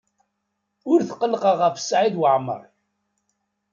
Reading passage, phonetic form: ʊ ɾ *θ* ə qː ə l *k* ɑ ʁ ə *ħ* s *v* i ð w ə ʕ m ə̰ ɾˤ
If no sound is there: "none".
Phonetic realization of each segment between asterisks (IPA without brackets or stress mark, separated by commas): θ, q, f, ʕ